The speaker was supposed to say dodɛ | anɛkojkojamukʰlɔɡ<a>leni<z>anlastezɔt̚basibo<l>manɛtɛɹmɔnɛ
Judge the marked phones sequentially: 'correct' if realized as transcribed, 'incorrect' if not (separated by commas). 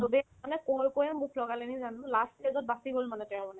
correct, correct, correct